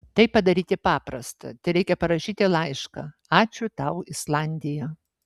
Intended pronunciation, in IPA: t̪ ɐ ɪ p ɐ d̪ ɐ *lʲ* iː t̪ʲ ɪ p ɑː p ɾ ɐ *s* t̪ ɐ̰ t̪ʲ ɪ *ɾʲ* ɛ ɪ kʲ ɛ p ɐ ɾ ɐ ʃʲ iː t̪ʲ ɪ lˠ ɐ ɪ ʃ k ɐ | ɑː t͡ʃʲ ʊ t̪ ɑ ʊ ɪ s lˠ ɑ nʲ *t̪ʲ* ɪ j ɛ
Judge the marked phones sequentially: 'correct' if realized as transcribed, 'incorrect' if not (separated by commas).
incorrect, correct, correct, incorrect